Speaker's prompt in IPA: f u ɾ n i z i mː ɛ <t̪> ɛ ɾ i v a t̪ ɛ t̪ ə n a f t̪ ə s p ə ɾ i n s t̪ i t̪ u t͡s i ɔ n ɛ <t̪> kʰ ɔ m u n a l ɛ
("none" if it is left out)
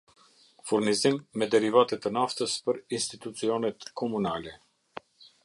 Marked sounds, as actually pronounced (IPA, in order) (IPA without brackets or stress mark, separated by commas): d̪, t̪